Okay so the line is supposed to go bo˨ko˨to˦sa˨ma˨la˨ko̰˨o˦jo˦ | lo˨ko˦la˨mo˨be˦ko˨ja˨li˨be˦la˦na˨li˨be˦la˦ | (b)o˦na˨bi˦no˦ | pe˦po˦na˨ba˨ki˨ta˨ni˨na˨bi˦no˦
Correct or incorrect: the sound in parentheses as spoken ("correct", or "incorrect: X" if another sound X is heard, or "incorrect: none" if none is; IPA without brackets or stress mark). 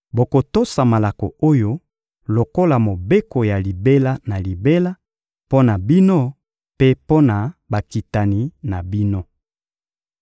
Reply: incorrect: p